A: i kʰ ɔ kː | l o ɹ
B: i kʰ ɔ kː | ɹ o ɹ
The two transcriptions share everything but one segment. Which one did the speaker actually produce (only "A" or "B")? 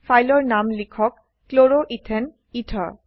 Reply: A